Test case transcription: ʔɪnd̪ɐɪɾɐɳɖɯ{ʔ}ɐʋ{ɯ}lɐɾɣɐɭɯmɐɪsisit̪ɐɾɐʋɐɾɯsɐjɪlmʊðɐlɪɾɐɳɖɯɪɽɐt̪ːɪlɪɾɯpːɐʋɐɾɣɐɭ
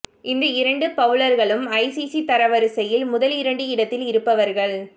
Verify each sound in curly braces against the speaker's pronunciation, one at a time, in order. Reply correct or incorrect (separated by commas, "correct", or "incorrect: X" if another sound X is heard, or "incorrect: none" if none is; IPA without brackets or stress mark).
incorrect: p, correct